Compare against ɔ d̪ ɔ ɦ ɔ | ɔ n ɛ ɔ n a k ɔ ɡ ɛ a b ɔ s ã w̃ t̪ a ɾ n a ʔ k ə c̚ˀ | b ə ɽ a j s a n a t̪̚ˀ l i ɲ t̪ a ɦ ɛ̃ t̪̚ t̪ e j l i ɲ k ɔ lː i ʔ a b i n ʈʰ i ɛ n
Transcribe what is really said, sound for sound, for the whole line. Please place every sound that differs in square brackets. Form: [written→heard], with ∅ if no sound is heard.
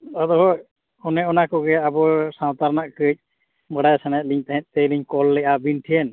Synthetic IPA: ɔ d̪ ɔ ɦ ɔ | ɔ n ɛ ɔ n a k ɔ ɡ ɛ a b ɔ s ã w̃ t̪ a ɾ n a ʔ k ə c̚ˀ | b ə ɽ a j s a n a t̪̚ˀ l i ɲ t̪ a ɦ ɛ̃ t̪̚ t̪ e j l i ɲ k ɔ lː [i→ɛ] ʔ a b i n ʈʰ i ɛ n